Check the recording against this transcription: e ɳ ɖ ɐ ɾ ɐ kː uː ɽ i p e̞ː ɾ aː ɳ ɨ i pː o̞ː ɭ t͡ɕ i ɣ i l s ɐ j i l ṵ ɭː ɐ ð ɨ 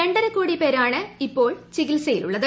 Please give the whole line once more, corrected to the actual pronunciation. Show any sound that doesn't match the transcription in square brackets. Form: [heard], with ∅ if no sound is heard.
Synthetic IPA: e ɳ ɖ ɐ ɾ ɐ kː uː ɽ i p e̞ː ɾ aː ɳ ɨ i pː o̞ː ɭ t͡ɕ i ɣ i l s ɐ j i l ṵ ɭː ɐ ð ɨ